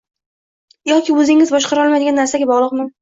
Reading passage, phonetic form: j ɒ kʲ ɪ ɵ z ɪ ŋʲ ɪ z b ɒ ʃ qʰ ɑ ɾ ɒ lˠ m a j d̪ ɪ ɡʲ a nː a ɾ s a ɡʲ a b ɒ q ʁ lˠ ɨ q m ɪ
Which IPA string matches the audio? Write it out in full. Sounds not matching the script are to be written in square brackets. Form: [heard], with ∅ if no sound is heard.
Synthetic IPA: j ɒ kʲ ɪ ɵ z ɪ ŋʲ ɪ z b ɒ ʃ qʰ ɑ ɾ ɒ lˠ m a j d̪ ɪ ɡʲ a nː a ɾ s a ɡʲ a b ɒ [∅] ʁ lˠ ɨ q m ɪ

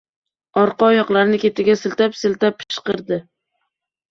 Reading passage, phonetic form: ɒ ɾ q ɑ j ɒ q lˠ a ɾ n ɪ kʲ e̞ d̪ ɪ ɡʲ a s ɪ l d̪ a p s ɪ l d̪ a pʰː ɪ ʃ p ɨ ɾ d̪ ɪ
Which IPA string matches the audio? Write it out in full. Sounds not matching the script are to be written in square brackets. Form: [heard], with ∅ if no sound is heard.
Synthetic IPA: ɒ ɾ q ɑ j ɒ q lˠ a ɾ n ɪ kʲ e̞ [t̪] ɪ ɡʲ a s ɪ l [t̪] a p s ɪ l [t̪] a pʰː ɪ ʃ [q] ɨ ɾ d̪ ɪ

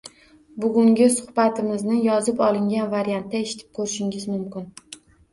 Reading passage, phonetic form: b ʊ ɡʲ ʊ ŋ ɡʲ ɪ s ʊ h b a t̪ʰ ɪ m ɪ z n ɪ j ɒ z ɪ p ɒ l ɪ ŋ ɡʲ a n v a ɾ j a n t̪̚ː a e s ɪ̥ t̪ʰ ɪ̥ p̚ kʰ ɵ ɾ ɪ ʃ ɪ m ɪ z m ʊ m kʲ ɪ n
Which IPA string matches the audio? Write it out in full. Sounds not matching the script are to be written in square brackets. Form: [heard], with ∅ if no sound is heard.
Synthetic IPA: b ʊ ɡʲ ʊ ŋ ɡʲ ɪ s ʊ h b a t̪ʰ ɪ m ɪ z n ɪ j ɒ z ɪ p ɒ l ɪ ŋ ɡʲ a n v a ɾ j a n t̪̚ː a e [ʃ] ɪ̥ t̪ʰ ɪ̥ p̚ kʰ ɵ ɾ ɪ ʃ ɪ [ŋ] ɪ z m ʊ m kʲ ɪ n

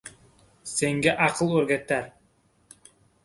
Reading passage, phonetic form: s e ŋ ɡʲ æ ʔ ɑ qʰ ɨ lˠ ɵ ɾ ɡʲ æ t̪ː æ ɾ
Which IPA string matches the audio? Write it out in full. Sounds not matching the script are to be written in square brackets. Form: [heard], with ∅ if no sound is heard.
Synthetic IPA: s e ŋ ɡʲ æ ʔ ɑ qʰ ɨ lˠ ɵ ɾ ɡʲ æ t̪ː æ ɾ

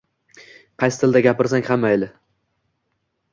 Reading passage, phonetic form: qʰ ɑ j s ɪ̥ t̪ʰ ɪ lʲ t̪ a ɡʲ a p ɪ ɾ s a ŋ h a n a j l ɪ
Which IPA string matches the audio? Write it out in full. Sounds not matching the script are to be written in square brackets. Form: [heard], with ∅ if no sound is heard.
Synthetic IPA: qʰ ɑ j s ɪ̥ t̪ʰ ɪ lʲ [d̪] a ɡʲ a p ɪ ɾ s a ŋ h a [m] a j l ɪ

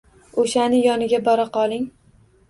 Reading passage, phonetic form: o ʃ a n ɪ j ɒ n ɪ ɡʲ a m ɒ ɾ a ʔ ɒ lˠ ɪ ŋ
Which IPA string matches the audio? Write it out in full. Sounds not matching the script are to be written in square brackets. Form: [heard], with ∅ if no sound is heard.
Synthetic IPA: o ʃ a n ɪ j ɒ n ɪ ɡʲ a [b] ɒ ɾ a [q] ɒ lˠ ɪ ŋ

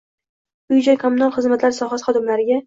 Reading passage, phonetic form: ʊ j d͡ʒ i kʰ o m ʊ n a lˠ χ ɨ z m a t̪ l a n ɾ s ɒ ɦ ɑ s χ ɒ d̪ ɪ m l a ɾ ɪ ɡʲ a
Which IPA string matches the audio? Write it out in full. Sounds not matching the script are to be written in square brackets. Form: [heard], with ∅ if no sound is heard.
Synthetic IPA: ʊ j d͡ʒ [a] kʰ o m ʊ n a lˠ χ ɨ z m a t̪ l a [∅] ɾ s ɒ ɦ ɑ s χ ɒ d̪ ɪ m l a ɾ ɪ ɡʲ a

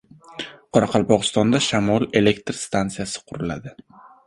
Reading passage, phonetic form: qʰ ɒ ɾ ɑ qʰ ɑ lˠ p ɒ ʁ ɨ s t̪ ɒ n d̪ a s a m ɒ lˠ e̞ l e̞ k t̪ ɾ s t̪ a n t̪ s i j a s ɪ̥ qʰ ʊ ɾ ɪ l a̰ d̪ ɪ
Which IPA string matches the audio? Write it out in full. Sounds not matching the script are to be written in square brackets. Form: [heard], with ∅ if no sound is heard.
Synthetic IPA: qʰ ɒ ɾ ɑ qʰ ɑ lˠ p ɒ ʁ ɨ s t̪ ɒ n d̪ a [ʃ] a m ɒ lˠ e̞ l e̞ k t̪ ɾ s t̪ a n t̪ s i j a s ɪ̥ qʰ ʊ ɾ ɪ l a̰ d̪ ɪ

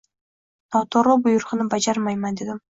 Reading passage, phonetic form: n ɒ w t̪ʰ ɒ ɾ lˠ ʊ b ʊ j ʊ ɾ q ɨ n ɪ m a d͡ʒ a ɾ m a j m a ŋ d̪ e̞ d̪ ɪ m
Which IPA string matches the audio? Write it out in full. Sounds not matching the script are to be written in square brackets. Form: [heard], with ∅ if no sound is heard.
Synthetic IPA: n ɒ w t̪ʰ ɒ ɾ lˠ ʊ b ʊ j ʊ ɾ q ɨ n ɪ [b] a d͡ʒ a ɾ m a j m a [n] d̪ e̞ d̪ ɪ m

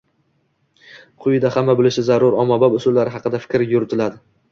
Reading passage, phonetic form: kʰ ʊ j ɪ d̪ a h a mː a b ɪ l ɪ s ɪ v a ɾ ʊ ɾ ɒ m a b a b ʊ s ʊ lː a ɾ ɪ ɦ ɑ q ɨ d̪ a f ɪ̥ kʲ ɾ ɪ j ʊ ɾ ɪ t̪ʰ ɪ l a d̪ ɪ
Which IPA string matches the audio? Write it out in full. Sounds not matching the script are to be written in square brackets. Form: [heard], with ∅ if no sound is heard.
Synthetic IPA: [qʰ] ʊ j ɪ d̪ a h a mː a b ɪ l ɪ [ʃ] ɪ [z] a ɾ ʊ ɾ ɒ m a b a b ʊ s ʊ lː a ɾ ɪ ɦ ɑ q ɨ d̪ a f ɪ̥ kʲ ɾ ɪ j ʊ ɾ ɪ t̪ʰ ɪ l a d̪ ɪ

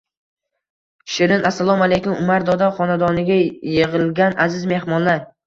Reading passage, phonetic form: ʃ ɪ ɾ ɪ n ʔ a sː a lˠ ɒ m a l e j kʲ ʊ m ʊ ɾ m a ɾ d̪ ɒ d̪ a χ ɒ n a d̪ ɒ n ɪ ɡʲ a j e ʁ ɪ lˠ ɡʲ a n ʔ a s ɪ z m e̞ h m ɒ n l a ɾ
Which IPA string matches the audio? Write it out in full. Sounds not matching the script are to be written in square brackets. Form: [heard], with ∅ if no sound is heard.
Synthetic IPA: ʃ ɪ ɾ ɪ n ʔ a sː a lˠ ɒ m a l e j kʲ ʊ m ʊ [∅] m a ɾ d̪ ɒ d̪ a χ ɒ n a d̪ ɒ n ɪ ɡʲ a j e ʁ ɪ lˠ ɡʲ a n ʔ a [z] ɪ z m e̞ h m ɒ n l a ɾ

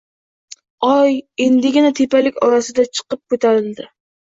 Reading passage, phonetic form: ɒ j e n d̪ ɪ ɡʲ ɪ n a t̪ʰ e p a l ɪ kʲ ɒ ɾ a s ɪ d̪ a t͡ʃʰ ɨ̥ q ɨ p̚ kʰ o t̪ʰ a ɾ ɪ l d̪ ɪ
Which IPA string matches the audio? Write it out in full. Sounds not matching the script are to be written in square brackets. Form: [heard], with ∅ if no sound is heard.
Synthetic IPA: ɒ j e n d̪ ɪ ɡʲ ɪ n a t̪ʰ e p a l ɪ kʲ ɒ ɾ a s ɪ d̪ a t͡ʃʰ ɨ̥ q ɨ p̚ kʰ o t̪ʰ a ɾ ɪ l d̪ ɪ

